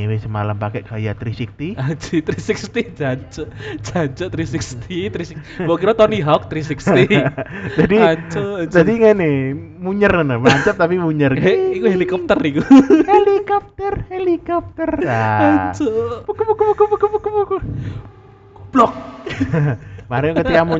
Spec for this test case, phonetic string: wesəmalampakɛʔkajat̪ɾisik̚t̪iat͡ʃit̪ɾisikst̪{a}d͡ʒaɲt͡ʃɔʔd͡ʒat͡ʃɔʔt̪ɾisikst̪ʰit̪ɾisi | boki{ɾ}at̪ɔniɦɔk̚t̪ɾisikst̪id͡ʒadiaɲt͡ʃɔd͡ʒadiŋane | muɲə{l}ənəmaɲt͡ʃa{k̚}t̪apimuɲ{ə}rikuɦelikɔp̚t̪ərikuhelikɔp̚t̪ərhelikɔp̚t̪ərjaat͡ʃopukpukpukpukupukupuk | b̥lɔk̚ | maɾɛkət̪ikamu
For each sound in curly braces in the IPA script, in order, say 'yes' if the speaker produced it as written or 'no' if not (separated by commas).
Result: no, yes, no, no, yes